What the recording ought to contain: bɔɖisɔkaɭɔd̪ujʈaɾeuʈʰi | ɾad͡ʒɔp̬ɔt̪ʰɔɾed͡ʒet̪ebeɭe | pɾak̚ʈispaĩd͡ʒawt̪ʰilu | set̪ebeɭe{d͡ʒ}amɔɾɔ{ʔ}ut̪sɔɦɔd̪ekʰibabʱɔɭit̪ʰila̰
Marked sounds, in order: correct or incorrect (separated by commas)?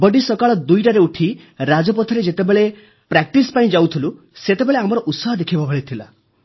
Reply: incorrect, correct